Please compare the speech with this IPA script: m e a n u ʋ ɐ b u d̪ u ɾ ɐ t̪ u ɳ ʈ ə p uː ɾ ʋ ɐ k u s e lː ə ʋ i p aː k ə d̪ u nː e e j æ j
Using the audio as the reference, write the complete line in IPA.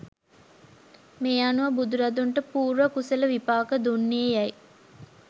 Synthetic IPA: m e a n u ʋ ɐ b u d̪ u ɾ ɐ d̪ u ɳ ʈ ə p uː ɾ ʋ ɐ k u s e l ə ʋ i p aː k ə d̪ u nː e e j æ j